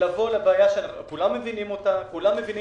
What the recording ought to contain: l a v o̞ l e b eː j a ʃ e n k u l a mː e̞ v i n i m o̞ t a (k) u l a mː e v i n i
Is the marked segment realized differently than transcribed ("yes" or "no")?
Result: no